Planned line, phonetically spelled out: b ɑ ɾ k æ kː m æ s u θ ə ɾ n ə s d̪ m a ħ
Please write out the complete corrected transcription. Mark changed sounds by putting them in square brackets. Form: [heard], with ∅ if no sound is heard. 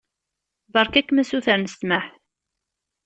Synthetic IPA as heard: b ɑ ɾ k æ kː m æ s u θ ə ɾ n ə s [t̪] m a ħ